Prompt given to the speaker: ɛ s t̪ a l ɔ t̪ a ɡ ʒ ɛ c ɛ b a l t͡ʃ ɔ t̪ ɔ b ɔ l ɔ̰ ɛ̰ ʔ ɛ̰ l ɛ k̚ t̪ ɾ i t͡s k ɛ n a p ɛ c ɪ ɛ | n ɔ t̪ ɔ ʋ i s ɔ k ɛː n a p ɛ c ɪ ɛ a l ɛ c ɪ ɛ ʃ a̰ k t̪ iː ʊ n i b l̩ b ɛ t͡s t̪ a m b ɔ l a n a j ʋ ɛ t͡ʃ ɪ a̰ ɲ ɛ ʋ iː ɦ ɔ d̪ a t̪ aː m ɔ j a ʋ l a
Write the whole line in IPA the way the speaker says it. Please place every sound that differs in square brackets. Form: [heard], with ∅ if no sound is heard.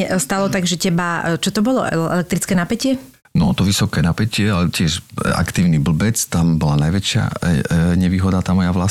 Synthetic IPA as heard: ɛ s t̪ a l ɔ t̪ a ɡ ʒ ɛ c ɛ b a [∅] t͡ʃ ɔ t̪ ɔ b ɔ l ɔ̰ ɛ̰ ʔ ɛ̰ l ɛ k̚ t̪ ɾ i t͡s k ɛ n a p ɛ c ɪ ɛ | n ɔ t̪ ɔ ʋ i s ɔ k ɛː n a p ɛ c ɪ ɛ a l ɛ c ɪ ɛ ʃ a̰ k t̪ iː ʊ n i b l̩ b ɛ t͡s t̪ a m b ɔ l a n a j ʋ ɛ t͡ʃ ɪ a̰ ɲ ɛ ʋ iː ɦ ɔ d̪ a t̪ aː m ɔ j a ʋ l a